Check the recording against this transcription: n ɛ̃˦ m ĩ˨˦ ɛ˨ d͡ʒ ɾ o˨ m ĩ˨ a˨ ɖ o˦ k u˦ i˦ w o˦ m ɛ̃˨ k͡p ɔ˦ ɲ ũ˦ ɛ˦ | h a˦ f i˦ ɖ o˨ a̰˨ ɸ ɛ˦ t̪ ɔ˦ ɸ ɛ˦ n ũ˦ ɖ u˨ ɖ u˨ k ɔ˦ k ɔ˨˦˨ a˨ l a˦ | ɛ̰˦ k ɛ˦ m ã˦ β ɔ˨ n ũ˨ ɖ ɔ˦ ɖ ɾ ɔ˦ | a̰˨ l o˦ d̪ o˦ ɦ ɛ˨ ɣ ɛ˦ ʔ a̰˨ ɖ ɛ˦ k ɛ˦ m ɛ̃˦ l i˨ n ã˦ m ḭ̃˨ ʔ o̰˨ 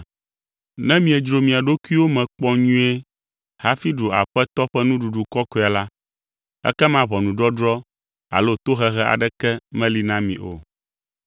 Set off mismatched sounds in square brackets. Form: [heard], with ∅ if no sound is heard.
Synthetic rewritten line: n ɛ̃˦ m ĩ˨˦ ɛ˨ d͡ʒ ɾ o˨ m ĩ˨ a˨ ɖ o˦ k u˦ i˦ w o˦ m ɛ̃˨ k͡p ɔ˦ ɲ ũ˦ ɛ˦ | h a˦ f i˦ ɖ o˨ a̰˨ ɸ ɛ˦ t̪ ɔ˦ ɸ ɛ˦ n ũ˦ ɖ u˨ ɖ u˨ k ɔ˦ k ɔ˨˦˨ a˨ l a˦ | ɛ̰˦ k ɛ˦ m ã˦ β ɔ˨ n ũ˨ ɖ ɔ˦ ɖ ɾ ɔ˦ | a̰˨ l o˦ [t̪] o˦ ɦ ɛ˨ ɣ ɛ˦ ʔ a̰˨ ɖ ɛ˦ k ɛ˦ m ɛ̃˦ l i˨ n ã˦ m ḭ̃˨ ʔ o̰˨